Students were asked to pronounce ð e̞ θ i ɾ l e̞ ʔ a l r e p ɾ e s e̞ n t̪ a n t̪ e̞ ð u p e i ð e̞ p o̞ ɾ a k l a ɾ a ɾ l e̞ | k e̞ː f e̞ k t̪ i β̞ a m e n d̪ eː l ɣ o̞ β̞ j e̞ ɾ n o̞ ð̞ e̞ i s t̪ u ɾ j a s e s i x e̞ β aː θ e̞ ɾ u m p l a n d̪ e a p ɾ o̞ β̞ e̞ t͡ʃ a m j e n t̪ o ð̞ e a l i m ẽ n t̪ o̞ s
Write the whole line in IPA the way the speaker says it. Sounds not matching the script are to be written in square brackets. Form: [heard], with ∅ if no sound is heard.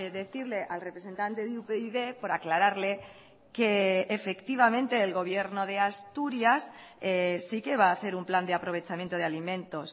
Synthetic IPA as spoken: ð e̞ θ i ɾ l e̞ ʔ a l r e p ɾ e s e̞ n t̪ a n t̪ e̞ ð u p e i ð e̞ p o̞ ɾ a k l a ɾ a ɾ l e̞ | k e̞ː f e̞ k t̪ i β̞ a m [ẽ] n [t̪] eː l ɣ o̞ β̞ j e̞ ɾ n o̞ ð̞ e̞ [a] s t̪ u ɾ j a s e s i [k] e̞ β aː θ e̞ ɾ u m p l a n d̪ e a p ɾ o̞ β̞ e̞ t͡ʃ a m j e n t̪ o ð̞ e a l i m ẽ n t̪ o̞ s